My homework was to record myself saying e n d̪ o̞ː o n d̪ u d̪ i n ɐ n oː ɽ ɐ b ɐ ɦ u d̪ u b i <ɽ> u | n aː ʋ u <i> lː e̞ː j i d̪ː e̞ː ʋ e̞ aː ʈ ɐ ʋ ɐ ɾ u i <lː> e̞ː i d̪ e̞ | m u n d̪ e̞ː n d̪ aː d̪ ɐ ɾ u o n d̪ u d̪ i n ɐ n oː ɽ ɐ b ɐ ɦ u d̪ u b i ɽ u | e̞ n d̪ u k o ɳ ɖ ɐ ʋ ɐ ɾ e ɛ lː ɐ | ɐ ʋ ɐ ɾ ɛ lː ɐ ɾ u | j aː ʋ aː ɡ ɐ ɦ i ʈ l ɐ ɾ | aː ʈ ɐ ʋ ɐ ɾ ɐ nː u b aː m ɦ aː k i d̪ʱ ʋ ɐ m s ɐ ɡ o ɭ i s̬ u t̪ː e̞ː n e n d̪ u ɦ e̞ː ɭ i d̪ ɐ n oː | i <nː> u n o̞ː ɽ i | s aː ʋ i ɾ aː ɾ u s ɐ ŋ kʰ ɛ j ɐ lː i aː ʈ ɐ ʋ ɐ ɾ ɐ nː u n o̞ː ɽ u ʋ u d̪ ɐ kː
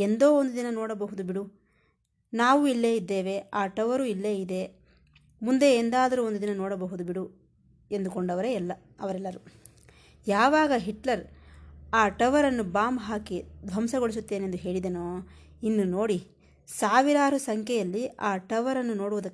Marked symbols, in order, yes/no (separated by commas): yes, yes, yes, yes